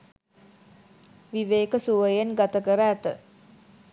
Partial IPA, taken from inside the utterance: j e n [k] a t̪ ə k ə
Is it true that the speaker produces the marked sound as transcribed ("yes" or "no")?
no